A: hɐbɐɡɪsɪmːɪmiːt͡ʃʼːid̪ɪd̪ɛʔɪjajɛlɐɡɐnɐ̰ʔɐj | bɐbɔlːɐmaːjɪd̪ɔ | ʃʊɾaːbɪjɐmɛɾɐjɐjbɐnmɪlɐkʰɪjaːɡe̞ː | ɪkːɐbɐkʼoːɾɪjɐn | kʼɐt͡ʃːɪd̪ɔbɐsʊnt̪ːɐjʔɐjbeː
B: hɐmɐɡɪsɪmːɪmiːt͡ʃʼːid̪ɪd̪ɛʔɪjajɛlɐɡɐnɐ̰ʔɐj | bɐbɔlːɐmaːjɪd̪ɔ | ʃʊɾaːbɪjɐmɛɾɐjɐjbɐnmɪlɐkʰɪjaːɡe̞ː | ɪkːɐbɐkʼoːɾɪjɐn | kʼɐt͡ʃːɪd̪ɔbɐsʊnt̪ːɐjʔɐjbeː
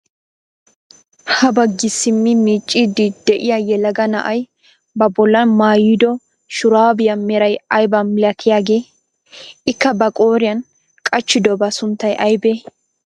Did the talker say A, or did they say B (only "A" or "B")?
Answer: A